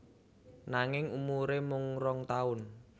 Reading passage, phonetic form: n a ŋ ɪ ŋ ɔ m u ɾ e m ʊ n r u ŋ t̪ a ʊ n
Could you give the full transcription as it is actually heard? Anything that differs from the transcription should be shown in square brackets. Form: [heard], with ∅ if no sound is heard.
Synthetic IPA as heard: n a ŋ ɪ ŋ [u] m u ɾ e m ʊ [ŋ] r [ɔ] ŋ t̪ a ʊ n